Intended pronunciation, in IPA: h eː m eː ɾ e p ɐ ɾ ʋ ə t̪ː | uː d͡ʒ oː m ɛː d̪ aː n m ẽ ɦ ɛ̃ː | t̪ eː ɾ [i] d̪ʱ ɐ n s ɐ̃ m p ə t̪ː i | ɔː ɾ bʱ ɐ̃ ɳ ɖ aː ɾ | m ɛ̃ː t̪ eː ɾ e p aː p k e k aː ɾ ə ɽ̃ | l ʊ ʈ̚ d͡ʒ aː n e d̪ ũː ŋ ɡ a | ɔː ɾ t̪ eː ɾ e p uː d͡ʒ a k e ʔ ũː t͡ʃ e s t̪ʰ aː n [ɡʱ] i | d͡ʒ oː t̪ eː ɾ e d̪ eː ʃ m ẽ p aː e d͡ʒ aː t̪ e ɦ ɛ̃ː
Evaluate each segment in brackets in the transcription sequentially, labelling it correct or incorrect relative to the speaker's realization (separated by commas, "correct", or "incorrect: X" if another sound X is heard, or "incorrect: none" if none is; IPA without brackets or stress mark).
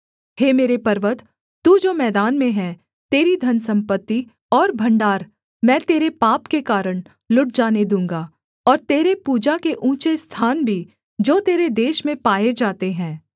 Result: correct, incorrect: bʱ